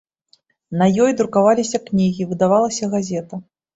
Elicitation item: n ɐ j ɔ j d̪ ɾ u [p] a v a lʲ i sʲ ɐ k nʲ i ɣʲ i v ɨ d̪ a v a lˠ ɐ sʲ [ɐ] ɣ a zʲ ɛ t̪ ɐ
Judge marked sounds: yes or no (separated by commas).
no, yes